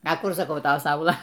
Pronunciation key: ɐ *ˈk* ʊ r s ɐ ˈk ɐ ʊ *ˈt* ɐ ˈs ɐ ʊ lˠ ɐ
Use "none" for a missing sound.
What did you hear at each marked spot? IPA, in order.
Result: k, t

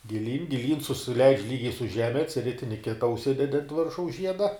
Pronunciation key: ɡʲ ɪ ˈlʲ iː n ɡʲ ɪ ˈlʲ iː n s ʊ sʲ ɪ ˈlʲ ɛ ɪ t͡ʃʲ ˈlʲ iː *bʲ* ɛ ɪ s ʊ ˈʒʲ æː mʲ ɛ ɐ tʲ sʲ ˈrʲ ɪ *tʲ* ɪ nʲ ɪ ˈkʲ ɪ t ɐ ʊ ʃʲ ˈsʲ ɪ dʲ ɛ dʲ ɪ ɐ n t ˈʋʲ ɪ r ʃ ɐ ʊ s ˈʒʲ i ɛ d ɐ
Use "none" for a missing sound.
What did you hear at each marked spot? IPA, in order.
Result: ɡʲ, tʲ

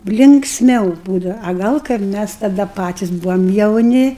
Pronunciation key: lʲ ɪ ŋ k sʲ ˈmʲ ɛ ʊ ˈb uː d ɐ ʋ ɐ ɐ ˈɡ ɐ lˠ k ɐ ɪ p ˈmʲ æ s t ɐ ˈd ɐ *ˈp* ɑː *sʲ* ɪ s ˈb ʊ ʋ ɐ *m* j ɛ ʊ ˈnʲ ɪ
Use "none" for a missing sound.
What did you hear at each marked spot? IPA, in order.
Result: p, tʲ, m

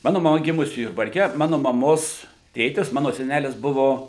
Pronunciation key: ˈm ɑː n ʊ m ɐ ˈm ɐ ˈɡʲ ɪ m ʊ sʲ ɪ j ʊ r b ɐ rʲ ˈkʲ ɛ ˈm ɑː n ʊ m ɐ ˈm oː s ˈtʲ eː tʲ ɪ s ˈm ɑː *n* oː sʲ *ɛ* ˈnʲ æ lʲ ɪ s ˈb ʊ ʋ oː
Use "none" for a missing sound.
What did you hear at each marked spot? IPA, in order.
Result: n, ɛ

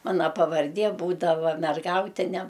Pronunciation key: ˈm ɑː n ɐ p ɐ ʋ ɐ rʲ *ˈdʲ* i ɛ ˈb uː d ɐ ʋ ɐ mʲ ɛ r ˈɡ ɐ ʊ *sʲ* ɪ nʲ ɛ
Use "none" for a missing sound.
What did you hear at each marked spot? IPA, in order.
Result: dʲ, tʲ

